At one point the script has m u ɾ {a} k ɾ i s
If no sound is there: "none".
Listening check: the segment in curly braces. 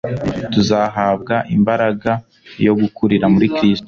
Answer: i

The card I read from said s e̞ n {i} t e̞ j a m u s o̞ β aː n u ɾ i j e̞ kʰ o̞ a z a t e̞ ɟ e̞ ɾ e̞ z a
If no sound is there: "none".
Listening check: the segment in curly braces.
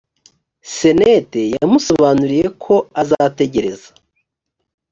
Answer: e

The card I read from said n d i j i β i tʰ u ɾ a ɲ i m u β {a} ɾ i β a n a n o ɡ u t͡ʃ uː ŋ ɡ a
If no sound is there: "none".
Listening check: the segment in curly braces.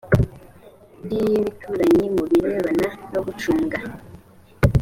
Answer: i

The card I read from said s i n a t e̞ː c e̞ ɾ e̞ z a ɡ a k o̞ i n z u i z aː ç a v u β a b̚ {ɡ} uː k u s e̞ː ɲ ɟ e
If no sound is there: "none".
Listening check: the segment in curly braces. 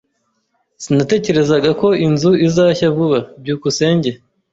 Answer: ɟ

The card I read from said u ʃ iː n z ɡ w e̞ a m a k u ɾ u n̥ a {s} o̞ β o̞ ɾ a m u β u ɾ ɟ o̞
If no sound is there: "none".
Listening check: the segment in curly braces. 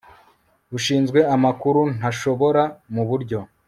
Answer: ʃ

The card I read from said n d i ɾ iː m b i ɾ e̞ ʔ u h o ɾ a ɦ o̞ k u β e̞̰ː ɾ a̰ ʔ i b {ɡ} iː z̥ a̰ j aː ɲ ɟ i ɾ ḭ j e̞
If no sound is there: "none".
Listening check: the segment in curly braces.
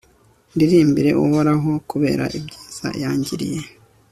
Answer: ɟ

